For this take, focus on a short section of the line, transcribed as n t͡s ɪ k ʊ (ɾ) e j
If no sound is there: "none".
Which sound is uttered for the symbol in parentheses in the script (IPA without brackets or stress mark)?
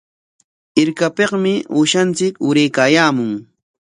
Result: ɾ